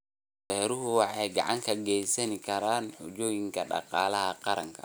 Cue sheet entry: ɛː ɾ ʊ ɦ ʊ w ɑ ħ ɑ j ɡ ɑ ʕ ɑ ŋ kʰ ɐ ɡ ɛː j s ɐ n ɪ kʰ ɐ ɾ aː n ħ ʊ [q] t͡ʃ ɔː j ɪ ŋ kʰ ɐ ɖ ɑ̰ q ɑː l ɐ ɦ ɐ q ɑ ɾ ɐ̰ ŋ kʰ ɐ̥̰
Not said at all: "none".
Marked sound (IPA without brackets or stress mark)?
none